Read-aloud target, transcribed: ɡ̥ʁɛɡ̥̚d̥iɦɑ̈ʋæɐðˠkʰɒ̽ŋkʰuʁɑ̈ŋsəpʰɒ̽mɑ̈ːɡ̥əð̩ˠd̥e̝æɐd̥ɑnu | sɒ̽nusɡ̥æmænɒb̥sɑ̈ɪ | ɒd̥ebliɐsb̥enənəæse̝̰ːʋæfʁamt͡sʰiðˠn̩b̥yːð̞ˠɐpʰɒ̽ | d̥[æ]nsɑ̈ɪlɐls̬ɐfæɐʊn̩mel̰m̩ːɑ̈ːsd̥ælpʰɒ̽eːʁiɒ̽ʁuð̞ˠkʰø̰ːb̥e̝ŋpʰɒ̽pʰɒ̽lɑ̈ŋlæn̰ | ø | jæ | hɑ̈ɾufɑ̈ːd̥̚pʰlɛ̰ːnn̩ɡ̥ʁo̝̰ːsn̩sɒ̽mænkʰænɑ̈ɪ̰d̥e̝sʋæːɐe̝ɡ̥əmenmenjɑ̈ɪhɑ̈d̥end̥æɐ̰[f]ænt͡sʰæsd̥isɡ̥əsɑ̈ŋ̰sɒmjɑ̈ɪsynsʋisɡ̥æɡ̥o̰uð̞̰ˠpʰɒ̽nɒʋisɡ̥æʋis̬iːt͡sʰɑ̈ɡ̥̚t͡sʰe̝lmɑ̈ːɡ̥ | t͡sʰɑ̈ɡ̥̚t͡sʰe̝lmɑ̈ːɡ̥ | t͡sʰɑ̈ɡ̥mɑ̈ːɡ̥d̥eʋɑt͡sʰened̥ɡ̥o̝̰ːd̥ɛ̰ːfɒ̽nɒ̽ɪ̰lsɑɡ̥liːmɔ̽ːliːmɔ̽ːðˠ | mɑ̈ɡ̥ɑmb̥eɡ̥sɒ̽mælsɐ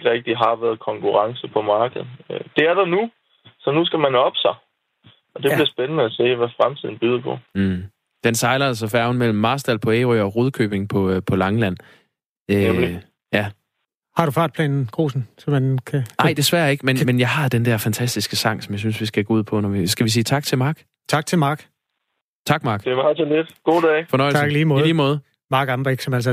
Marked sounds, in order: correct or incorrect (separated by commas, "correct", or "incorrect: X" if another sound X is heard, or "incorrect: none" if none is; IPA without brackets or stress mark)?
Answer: incorrect: e, correct